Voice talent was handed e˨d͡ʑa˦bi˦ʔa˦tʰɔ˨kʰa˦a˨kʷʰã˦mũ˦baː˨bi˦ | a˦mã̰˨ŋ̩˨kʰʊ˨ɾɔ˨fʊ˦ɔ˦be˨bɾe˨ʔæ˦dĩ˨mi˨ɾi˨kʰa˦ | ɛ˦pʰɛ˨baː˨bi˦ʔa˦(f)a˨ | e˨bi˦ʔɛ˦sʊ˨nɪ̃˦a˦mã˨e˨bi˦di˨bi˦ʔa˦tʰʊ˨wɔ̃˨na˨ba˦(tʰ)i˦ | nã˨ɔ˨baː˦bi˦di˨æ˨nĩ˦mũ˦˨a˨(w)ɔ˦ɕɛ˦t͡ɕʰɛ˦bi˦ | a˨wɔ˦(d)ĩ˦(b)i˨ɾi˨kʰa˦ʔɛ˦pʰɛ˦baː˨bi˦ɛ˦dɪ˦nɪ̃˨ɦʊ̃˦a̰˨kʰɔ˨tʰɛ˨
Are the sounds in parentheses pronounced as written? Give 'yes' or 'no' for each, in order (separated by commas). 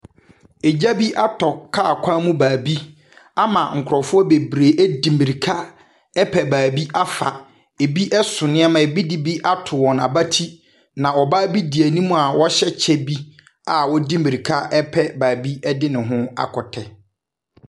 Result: yes, yes, yes, yes, no